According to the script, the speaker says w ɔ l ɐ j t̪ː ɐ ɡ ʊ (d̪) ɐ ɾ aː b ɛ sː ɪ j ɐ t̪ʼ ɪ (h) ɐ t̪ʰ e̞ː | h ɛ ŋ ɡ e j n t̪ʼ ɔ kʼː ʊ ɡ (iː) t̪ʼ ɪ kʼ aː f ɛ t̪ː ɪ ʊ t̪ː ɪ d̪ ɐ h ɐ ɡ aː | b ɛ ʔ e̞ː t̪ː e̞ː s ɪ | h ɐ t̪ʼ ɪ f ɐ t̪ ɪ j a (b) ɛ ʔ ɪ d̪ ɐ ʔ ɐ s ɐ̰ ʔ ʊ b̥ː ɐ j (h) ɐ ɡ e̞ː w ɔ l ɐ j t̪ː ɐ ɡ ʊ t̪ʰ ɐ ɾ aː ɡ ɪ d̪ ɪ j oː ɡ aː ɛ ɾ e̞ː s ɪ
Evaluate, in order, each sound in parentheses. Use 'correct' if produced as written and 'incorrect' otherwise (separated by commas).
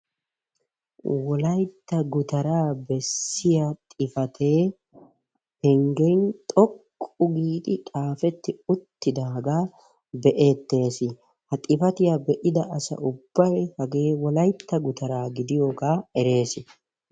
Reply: incorrect, incorrect, correct, correct, correct